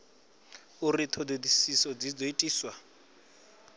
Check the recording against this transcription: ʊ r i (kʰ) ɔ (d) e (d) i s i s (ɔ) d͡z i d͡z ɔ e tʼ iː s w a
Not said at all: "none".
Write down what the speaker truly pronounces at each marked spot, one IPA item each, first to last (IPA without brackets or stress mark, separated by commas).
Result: tʰ, d, d, ɔ